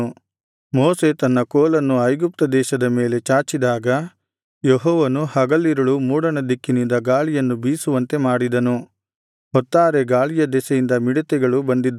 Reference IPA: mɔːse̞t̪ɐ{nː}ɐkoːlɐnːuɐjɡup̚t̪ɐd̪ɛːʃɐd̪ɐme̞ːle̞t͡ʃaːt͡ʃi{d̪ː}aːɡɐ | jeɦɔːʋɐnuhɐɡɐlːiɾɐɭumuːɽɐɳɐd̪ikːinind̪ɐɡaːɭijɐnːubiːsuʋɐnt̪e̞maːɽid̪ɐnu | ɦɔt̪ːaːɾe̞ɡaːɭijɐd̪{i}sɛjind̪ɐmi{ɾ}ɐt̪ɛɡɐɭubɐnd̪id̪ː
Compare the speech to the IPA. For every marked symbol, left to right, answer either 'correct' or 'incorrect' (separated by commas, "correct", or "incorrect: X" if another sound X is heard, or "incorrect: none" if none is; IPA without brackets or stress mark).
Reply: correct, incorrect: d̪, incorrect: ɛ, incorrect: ɽ